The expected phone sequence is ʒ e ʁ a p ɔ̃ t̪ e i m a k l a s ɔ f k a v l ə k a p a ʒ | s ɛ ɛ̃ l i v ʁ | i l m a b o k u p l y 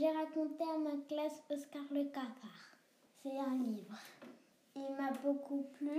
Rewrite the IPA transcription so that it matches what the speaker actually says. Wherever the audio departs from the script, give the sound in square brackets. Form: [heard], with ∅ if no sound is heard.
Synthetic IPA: ʒ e ʁ a [k] ɔ̃ t̪ e [a] m a k l a s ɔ [s] k a [ʁ] l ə k a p a [ʁ] | s ɛ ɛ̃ l i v ʁ | i l m a b o k u p l y